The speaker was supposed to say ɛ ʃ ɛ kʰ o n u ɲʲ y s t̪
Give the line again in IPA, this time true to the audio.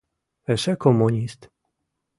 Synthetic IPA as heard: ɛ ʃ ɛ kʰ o m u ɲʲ i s t̪